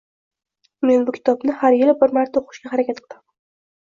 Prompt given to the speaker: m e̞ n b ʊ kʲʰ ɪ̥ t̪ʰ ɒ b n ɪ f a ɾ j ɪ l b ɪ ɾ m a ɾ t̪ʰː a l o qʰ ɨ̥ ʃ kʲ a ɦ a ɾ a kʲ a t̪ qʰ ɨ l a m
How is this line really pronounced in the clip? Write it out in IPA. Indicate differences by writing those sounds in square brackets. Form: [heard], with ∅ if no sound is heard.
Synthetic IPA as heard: m e̞ n b ʊ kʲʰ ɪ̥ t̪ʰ ɒ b n ɪ [h] a ɾ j ɪ l b ɪ ɾ m a ɾ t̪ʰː a [∅] o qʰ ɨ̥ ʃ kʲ a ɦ a ɾ a kʲ a t̪ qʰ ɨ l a m

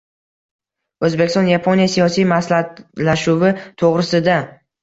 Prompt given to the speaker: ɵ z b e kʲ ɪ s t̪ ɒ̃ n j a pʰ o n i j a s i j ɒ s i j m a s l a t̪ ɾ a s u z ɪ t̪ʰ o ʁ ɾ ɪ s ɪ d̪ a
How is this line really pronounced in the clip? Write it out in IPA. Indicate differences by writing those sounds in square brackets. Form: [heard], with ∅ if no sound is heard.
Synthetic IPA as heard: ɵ z b e kʲ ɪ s t̪ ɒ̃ n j a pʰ o n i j a s i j ɒ s i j m a s l a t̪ [l] a [ʃ] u [v] ɪ t̪ʰ o ʁ ɾ ɪ s ɪ d̪ a

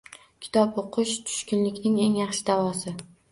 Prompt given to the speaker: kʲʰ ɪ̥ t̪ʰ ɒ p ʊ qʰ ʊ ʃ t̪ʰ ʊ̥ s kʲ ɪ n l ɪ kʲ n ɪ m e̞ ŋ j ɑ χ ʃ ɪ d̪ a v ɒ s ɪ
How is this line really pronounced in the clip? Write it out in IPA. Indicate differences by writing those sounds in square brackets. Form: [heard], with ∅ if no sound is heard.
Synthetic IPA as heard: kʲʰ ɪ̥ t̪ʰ ɒ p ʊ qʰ ʊ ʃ t̪ʰ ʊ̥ [ʃ] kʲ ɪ n l ɪ kʲ n ɪ [ŋ] e̞ ŋ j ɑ χ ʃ ɪ d̪ a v ɒ s ɪ

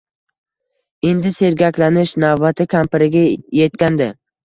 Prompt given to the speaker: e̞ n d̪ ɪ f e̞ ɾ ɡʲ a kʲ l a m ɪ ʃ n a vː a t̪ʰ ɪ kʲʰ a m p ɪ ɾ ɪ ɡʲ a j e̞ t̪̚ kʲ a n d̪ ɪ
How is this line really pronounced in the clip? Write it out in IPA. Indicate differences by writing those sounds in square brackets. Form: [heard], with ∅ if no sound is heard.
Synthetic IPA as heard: e̞ n d̪ ɪ [s] e̞ ɾ ɡʲ a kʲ l a [n] ɪ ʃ n a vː a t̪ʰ ɪ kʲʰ a m p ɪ ɾ ɪ ɡʲ a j e̞ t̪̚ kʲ a n d̪ ɪ

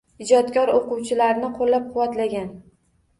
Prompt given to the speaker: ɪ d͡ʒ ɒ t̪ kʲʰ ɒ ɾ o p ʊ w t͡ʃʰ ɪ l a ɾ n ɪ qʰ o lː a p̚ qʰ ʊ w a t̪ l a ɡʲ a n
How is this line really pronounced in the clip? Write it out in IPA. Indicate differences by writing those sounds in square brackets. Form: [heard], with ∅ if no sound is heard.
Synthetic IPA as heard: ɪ d͡ʒ ɒ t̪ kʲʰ ɒ ɾ o [q] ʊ w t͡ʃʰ ɪ l a ɾ n ɪ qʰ o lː a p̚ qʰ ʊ w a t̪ l a ɡʲ a n

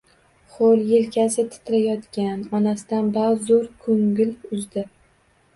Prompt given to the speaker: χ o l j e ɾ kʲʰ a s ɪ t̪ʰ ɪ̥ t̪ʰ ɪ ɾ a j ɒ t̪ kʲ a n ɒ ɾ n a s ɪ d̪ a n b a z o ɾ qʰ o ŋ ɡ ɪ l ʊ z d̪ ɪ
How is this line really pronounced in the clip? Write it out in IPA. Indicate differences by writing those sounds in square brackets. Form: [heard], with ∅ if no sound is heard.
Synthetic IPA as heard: χ o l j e [l] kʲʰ a s ɪ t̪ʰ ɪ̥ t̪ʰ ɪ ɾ a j ɒ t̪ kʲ a n ɒ [∅] n a s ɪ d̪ a n b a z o ɾ [kʰ] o ŋ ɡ ɪ l ʊ z d̪ ɪ

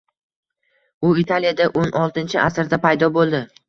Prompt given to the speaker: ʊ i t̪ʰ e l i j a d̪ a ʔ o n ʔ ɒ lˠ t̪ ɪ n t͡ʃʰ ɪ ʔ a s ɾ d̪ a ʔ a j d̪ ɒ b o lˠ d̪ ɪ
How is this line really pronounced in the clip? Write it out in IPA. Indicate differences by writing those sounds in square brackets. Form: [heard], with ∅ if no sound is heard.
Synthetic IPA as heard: ʊ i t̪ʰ [a] l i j a d̪ a ʔ o n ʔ ɒ lˠ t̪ ɪ n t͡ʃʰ ɪ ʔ a s ɾ d̪ a [p] a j d̪ ɒ b o lˠ d̪ ɪ

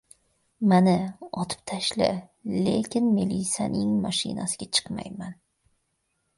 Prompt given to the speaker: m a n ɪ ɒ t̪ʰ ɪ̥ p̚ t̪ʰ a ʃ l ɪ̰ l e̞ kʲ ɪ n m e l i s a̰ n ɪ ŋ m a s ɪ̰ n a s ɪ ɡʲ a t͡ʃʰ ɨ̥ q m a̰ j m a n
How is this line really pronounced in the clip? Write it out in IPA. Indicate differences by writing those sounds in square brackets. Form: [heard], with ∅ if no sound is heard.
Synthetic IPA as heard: m a n ɪ ɒ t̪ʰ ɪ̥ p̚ t̪ʰ a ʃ l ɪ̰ l e̞ kʲ ɪ n m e l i s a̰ n ɪ ŋ m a [ʃ] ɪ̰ n a s ɪ ɡʲ a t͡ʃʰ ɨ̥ q m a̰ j m a n

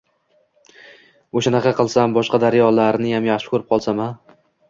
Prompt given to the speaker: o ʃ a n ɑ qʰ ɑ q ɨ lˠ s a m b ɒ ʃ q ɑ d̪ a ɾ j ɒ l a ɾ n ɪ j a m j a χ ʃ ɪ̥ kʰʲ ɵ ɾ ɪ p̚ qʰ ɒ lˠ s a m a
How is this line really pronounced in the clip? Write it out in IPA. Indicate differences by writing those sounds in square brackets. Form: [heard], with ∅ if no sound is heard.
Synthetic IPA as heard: o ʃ a n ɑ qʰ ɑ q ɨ lˠ s a m b ɒ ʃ q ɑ d̪ a ɾ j ɒ l a ɾ n ɪ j a m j a χ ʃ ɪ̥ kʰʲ ɵ ɾ ɪ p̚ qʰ ɒ lˠ s a m a

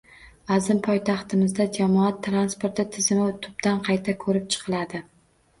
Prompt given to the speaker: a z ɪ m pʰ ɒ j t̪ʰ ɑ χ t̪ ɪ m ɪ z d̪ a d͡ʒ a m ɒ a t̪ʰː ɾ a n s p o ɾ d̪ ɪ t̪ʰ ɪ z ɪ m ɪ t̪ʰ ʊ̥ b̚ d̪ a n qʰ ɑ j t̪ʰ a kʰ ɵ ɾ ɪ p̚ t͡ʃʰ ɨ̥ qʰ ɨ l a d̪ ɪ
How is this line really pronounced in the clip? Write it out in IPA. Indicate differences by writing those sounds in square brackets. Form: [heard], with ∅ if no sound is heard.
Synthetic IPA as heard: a z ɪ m pʰ ɒ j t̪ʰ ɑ χ t̪ ɪ m ɪ z d̪ a d͡ʒ a m ɒ a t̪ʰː ɾ a n s p o ɾ [t̪] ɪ t̪ʰ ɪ z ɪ m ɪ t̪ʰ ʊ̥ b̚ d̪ a n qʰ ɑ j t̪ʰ a kʰ ɵ ɾ ɪ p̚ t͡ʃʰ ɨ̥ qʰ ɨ l a d̪ ɪ

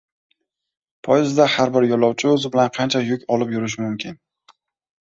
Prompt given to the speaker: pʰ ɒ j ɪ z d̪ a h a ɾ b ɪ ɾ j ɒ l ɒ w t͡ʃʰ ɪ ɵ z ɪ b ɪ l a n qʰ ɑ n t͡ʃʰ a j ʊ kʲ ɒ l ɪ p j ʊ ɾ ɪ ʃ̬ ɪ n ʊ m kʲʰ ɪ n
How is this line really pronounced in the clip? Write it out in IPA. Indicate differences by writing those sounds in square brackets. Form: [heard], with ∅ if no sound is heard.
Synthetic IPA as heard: pʰ ɒ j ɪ z d̪ a h a ɾ b ɪ ɾ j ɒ l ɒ w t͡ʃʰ ɪ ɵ z ɪ b ɪ l a n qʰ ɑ n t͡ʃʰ a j ʊ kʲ ɒ l ɪ p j ʊ ɾ ɪ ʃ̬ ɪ [m] ʊ m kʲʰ ɪ n

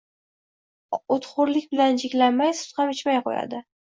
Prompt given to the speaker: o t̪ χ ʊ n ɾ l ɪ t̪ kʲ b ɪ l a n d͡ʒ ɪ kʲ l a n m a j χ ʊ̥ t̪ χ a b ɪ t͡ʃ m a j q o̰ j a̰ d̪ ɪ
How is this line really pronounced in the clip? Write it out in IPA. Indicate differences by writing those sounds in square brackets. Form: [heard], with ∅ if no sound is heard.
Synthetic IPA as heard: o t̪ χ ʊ [∅] ɾ l ɪ [∅] kʲ b ɪ l a n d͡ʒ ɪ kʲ l a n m a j [s] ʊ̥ t̪ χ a [m] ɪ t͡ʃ m a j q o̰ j a̰ d̪ ɪ

